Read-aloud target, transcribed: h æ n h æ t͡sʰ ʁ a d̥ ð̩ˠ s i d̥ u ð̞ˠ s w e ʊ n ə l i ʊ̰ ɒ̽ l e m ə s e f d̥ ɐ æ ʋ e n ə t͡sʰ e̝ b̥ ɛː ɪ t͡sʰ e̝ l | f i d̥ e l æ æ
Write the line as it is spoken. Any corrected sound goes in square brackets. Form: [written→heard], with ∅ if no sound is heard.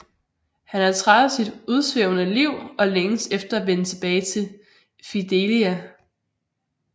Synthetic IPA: h æ n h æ t͡sʰ ʁ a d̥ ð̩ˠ s i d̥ u ð̞ˠ s [w→ʋ] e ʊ n ə l i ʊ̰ ɒ̽ l e [m→ŋ] ə s e f d̥ ɐ æ ʋ e n ə t͡sʰ e̝ b̥ ɛː ɪ t͡sʰ e̝ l | f i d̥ e l [æ→i] æ